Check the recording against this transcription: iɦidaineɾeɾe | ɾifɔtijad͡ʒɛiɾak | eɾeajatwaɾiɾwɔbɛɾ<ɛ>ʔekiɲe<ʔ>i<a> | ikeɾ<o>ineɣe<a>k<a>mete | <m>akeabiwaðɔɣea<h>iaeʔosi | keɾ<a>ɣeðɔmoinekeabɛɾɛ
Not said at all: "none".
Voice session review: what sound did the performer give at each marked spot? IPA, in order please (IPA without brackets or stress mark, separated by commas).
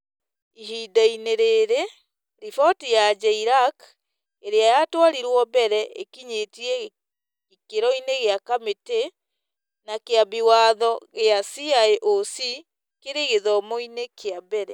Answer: ɛ, t, ɛ, ɔ, a, a, n, s, e